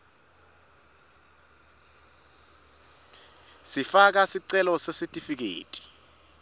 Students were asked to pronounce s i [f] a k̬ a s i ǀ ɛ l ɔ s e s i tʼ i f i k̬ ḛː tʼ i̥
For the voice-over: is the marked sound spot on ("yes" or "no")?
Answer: yes